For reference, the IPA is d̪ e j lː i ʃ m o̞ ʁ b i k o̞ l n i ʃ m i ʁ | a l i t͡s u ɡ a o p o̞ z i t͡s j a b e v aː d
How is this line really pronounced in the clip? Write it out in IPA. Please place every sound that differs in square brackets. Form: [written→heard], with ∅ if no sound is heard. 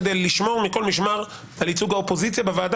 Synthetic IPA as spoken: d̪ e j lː i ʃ m o̞ ʁ [b→m] i k o̞ l [n→m] i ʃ m [i→a] ʁ | a l i t͡s u ɡ a o p o̞ z i t͡s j a b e v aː d